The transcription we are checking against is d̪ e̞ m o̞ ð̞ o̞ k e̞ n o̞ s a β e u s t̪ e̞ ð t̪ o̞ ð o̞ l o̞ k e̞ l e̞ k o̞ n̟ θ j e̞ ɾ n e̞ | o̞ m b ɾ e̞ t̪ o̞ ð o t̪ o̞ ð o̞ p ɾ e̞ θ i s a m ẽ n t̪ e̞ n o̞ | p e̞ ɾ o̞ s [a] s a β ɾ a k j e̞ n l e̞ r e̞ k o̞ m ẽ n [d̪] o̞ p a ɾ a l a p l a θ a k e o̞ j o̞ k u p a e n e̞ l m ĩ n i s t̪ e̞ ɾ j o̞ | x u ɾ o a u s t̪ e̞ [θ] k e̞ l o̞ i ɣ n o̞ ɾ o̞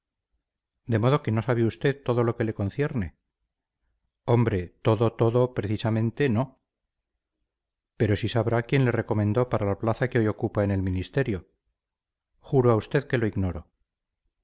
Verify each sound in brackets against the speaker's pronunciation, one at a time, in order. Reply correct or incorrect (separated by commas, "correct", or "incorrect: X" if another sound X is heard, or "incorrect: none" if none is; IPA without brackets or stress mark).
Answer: incorrect: i, correct, incorrect: ð